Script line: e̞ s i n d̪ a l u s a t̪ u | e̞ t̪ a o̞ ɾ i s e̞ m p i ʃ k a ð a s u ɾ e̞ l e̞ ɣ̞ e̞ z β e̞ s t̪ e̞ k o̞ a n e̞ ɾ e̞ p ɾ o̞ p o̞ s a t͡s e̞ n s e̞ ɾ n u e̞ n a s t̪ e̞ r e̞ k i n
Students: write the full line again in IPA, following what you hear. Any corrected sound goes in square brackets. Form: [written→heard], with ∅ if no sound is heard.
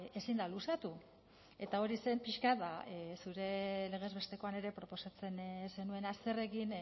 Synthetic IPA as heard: e̞ s i n d̪ a l u s a t̪ u | e̞ t̪ a o̞ ɾ i s e̞ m p i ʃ k a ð a s u ɾ e̞ l e̞ ɣ̞ e̞ z β e̞ s t̪ e̞ k o̞ a n e̞ ɾ e̞ p ɾ o̞ p o̞ s a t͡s e̞ n s e̞ [ɾ→∅] n u e̞ n a s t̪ e̞ r e̞ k i n